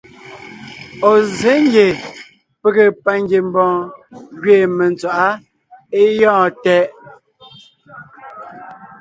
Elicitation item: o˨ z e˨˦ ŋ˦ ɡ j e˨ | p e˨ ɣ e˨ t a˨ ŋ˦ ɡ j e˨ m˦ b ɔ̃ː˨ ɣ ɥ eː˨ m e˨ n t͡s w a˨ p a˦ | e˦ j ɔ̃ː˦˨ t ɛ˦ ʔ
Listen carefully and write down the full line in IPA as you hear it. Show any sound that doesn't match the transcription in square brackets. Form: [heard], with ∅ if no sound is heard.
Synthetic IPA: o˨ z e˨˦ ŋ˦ ɡ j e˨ | p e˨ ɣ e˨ [p] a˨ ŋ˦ ɡ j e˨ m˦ b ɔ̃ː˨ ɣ ɥ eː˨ m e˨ n t͡s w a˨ [ʔ] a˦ | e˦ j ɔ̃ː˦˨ t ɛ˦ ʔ